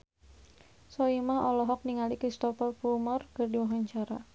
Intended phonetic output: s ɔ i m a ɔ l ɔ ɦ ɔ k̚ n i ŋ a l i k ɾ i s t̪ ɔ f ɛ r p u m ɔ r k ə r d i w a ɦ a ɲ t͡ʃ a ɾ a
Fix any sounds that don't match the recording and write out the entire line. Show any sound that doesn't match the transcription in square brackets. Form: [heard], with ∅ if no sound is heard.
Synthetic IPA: s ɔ i m a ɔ l ɔ ɦ ɔ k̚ n i ŋ a l i k ɾ i s t̪ ɔ f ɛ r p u m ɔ r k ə r d i w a ɦ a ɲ t͡ʃ a ɾ a